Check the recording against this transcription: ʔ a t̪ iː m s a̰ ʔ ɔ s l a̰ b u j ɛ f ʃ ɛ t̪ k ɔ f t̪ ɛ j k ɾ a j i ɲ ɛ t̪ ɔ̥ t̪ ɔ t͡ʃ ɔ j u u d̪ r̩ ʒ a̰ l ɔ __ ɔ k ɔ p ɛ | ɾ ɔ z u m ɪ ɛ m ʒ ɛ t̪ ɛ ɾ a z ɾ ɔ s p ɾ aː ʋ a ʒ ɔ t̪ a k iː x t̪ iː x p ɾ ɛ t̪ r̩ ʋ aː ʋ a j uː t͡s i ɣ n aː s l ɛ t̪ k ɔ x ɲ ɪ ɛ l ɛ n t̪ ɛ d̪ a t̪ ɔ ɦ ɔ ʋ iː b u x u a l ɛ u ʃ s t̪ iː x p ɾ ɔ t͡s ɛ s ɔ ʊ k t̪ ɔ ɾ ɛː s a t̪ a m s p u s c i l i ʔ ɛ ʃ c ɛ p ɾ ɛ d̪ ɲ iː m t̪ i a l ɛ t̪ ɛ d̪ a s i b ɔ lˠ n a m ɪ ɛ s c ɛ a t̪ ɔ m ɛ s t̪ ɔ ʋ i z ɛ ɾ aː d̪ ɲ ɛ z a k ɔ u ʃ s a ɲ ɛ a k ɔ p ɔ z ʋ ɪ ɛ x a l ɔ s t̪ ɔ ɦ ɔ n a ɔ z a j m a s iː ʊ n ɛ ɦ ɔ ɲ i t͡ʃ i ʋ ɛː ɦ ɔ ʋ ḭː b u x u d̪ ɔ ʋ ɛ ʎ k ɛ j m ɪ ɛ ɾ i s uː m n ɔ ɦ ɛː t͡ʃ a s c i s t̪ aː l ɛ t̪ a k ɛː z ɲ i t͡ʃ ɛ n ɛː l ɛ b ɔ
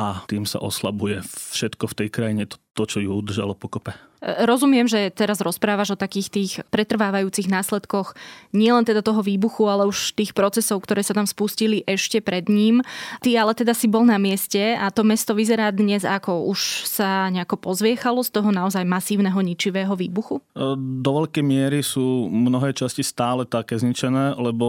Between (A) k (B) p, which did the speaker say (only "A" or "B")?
B